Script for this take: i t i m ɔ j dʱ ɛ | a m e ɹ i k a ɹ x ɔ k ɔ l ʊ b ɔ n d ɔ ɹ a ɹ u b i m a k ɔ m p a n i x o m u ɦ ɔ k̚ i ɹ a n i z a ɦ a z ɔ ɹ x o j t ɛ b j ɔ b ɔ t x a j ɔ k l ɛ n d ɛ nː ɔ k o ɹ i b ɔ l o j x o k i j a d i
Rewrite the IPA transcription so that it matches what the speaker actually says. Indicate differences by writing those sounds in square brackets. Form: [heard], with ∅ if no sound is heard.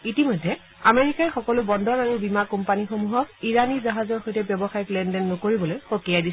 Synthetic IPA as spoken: i t i m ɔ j dʱ ɛ | a m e ɹ i k a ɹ x ɔ k ɔ l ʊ b ɔ n d ɔ ɹ a ɹ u b i m a k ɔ m p a n i x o m u ɦ ɔ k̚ i ɹ a n i z a ɦ a z ɔ ɹ x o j t ɛ b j ɔ b ɔ [∅] x a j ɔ k l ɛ n d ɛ nː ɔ k o ɹ i b ɔ l o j x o k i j a d i